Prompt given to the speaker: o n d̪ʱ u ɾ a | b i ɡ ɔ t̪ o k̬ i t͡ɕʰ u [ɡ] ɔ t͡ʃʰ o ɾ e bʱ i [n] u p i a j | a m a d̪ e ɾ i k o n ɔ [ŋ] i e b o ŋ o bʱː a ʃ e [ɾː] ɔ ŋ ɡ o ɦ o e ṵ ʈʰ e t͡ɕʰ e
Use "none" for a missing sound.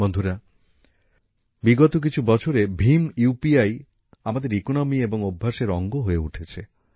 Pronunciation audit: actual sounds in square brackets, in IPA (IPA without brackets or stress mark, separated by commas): b, m, m, ɾ